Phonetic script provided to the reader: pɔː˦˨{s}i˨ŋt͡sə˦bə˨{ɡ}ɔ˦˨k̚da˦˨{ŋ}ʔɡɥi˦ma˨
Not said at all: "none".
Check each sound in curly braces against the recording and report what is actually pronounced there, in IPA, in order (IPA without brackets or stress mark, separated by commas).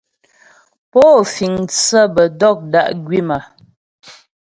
f, d, none